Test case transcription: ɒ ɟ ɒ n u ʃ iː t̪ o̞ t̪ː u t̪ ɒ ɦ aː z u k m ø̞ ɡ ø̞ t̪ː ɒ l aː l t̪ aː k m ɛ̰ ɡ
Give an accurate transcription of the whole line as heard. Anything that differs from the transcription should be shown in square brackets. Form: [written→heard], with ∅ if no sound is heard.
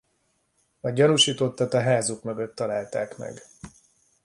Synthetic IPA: ɒ ɟ ɒ n u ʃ iː t̪ o̞ t̪ː [u→ɒ] t̪ ɒ ɦ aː z u k m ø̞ ɡ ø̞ t̪ː ɒ l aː l t̪ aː k m ɛ̰ ɡ